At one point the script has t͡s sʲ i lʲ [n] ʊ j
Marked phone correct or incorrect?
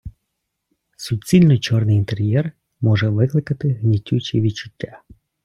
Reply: correct